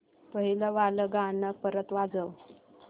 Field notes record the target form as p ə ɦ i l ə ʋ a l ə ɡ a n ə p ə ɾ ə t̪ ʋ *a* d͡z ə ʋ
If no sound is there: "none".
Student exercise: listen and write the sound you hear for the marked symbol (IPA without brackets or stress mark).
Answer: a